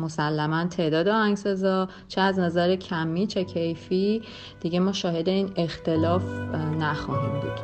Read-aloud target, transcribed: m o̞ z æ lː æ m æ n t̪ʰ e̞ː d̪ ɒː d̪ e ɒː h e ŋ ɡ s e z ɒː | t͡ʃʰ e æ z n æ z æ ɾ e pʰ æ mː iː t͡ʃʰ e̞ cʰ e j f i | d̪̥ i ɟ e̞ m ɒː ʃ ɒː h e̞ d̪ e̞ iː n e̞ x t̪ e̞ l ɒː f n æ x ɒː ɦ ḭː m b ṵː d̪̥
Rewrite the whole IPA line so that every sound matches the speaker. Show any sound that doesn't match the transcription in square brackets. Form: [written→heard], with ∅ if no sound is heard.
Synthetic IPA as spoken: m o̞ [z→s] æ lː æ m æ n t̪ʰ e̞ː d̪ ɒː d̪ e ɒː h [e→æ] ŋ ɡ s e z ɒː | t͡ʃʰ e æ z n æ z æ ɾ e [pʰ→cʰ] æ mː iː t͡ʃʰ e̞ cʰ e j f i | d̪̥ i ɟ e̞ m ɒː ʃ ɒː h e̞ d̪ e̞ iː n e̞ x t̪ e̞ l ɒː f n æ x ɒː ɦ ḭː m b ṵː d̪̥